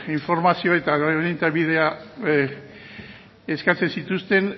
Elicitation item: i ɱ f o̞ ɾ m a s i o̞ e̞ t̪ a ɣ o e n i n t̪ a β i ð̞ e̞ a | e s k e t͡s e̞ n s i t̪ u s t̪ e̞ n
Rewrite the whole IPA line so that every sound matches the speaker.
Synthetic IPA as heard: i ɱ f o̞ ɾ m a s i o̞ e̞ t̪ a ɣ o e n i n t̪ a β i ð̞ e̞ a | e s k a t͡s e̞ n s i t̪ u s t̪ e̞ n